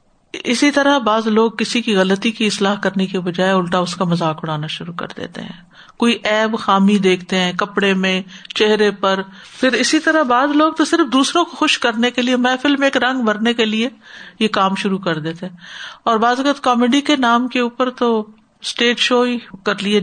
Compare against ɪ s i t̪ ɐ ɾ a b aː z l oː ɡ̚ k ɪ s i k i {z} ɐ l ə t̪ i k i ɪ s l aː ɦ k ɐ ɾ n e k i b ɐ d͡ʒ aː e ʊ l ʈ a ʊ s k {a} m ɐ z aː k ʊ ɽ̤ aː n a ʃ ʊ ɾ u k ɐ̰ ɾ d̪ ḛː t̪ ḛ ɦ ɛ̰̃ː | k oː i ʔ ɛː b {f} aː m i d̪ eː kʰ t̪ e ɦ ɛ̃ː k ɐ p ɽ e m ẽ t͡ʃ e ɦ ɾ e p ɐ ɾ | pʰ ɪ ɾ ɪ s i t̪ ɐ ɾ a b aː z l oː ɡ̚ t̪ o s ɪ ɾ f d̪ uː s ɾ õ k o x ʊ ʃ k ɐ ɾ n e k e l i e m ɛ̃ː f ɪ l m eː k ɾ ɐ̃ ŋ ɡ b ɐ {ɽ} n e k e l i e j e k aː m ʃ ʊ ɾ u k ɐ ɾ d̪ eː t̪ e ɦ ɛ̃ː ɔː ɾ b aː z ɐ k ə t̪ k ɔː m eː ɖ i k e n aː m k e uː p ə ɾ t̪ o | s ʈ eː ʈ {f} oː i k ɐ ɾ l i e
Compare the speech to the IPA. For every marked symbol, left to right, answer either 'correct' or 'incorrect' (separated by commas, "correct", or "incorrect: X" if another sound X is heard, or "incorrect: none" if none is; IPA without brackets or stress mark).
incorrect: ɣ, correct, incorrect: x, incorrect: ɾ, incorrect: ʃ